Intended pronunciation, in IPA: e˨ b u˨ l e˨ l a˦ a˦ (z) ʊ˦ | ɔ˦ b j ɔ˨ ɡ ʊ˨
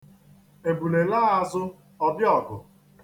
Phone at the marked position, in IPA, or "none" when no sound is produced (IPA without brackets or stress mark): z